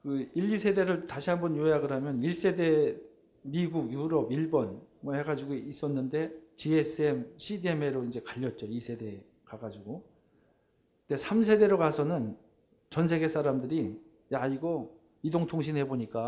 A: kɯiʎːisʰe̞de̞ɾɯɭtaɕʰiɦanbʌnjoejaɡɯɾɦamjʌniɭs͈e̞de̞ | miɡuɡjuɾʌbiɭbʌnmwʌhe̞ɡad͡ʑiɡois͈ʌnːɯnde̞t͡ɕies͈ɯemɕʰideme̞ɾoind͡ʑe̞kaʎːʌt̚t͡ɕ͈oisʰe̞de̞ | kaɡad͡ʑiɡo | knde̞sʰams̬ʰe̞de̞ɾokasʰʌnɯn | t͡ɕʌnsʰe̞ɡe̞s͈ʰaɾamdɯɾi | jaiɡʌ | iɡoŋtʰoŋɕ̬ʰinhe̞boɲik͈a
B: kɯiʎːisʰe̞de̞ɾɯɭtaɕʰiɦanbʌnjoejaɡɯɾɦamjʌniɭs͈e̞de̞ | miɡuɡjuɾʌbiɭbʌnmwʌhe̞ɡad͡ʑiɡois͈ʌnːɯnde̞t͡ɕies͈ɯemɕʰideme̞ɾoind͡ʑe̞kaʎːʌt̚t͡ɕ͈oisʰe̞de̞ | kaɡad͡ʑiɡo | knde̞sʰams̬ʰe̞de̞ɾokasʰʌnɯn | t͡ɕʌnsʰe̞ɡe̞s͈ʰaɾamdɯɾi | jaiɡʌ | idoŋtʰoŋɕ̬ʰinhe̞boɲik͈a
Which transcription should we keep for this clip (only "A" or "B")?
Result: B